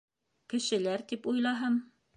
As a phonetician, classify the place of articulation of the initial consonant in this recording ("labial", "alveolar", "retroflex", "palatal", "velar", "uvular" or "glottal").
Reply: velar